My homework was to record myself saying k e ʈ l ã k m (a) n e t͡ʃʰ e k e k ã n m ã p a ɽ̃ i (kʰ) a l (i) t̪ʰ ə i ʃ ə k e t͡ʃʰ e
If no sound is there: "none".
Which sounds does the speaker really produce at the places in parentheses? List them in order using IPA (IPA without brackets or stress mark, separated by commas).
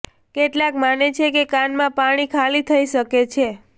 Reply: a, kʰ, i